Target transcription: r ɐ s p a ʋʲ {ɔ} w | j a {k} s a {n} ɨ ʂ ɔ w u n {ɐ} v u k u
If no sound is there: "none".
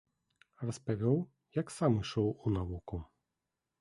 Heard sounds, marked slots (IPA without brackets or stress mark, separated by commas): ɔ, k, m, a